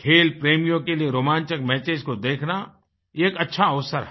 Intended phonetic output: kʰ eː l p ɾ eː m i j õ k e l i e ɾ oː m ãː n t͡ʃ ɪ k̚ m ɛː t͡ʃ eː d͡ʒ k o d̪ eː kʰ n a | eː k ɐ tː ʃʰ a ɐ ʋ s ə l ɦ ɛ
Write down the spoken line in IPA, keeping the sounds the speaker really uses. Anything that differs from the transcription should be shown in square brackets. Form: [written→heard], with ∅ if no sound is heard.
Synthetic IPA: kʰ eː l p ɾ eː m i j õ k e l i e ɾ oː m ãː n t͡ʃ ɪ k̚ m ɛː t͡ʃ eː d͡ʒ k o d̪ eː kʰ n a | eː k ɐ tː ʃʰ a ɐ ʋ s ə [l→ɾ] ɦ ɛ